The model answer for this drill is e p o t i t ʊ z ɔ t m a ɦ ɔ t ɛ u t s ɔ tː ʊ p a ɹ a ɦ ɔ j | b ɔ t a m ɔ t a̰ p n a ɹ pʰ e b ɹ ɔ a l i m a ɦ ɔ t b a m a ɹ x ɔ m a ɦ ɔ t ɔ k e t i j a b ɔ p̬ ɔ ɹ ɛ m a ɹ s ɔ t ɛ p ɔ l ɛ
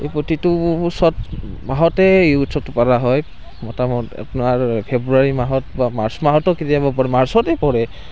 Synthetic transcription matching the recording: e p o t i t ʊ s ɔ t m a ɦ ɔ t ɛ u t s ɔ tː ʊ p a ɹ a ɦ ɔ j | m ɔ t a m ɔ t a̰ p n a ɹ pʰ e b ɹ u a ɹ i m a ɦ ɔ t b a m a ɹ s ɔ m a ɦ ɔ t ɔ k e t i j a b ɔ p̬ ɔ ɹ ɛ m a ɹ s ɔ t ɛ p ɔ ɹ ɛ

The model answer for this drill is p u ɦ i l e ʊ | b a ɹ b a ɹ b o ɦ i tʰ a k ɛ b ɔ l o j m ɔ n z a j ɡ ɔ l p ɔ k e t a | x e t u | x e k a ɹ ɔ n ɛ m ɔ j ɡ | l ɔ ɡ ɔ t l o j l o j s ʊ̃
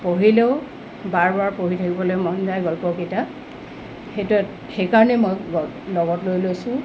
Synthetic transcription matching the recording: p o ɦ i l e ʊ | b a ɹ b a ɹ p o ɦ i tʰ a k i b ɔ l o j m ɔ n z a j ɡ ɔ l p ɔ k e t a | x e t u | x e k a ɹ ɔ n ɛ m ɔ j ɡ | l ɔ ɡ ɔ t l o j l o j s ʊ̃

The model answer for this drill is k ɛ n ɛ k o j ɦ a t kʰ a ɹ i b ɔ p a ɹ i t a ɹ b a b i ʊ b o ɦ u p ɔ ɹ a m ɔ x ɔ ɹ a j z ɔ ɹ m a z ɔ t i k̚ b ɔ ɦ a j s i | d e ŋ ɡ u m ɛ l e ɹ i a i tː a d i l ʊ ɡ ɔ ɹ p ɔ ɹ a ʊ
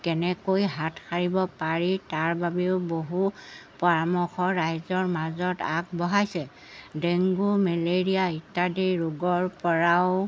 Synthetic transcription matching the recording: k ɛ n ɛ k o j ɦ a t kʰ a ɹ i b ɔ p a ɹ i t a ɹ b a b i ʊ b o ɦ u p ɔ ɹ a m ɔ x ɔ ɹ a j z ɔ ɹ m a z ɔ t a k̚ b ɔ ɦ a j s ɛ | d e ŋ ɡ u m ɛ l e ɹ i a i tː a d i ɹ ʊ ɡ ɔ ɹ p ɔ ɹ a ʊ

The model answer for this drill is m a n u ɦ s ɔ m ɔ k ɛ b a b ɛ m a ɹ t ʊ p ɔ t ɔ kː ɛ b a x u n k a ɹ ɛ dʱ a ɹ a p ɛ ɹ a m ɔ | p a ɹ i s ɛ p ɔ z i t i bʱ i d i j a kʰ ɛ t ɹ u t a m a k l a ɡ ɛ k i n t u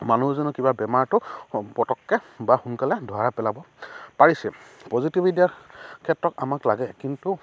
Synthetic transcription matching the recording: m a n u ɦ z ɔ n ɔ k i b a b ɛ m a ɹ t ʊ p ɔ t ɔ kː ɛ b a x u n k a l ɛ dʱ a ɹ a p ɛ l a b ɔ | p a ɹ i s ɛ p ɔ z i t i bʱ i d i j a kʰ ɛ t ɹ ɔ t a m a k l a ɡ ɛ k i n t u

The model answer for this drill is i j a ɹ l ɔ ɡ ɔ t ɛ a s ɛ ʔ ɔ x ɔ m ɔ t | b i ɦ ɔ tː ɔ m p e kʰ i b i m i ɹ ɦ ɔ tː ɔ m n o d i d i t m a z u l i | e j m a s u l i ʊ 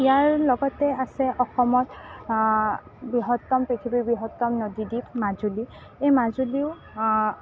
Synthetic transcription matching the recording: i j a ɹ l ɔ ɡ ɔ t ɛ a s ɛ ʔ ɔ x ɔ m ɔ t | b i ɦ ɔ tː ɔ m p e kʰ i b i b i ɦ ɔ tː ɔ m n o d i d i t m a z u l i | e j m a z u l i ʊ

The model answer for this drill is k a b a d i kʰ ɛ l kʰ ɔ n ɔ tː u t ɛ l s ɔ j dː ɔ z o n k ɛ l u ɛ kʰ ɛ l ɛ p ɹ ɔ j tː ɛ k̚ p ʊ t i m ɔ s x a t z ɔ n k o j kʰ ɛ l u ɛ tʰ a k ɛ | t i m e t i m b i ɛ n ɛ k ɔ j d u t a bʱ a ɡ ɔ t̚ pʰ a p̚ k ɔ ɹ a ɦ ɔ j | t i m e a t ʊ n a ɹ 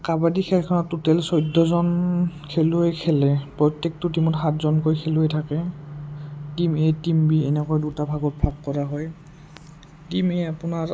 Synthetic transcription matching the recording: k a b a d i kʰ ɛ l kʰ ɔ n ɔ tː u t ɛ l s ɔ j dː ɔ z ɔ n kʰ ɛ l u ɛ kʰ ɛ l ɛ p ɹ ɔ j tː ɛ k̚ t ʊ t i m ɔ t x a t z ɔ n k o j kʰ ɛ l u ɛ tʰ a k ɛ | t i m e t i m b i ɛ n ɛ k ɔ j d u t a bʱ a ɡ ɔ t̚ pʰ a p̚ k ɔ ɹ a ɦ ɔ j | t i m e a p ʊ n a ɹ

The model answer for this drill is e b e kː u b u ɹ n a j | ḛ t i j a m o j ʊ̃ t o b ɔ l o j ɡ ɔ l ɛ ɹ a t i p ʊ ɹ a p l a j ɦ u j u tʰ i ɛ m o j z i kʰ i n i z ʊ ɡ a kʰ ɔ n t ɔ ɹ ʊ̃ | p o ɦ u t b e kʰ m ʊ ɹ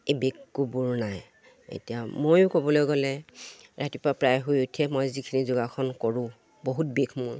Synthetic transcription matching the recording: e b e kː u b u ɹ n a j | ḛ t i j a m o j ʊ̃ k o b ɔ l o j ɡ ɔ l ɛ ɹ a t i p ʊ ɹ a p ɹ a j ɦ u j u tʰ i ɛ m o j z i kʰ i n i z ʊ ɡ a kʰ ɔ n k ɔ ɹ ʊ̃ | b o ɦ u t b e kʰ m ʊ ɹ

